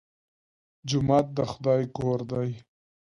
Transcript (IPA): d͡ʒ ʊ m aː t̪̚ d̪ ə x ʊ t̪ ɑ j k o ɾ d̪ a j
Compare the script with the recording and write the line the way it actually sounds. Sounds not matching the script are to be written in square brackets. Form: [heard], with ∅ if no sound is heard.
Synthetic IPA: d͡ʒ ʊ m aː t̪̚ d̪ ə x ʊ [d̪] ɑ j k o ɾ d̪ a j